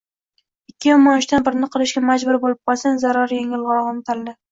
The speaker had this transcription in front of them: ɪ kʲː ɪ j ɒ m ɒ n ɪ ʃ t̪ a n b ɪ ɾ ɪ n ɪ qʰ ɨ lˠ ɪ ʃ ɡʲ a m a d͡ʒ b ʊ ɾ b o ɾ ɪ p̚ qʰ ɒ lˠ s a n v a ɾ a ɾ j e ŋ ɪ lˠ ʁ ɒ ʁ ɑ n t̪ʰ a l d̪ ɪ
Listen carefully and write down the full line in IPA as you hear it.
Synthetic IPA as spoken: ɪ kʲː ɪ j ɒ m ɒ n ɪ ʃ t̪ a n b ɪ ɾ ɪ n ɪ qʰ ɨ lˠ ɪ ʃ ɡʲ a m a d͡ʒ b ʊ ɾ b o l ɪ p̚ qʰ ɒ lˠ s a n z a ɾ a ɾ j e ŋ ɪ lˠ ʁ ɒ ʁ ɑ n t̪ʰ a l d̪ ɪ